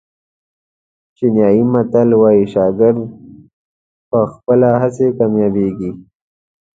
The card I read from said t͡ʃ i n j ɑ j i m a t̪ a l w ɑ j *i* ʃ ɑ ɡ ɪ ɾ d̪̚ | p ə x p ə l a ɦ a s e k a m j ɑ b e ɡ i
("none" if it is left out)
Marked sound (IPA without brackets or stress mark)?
i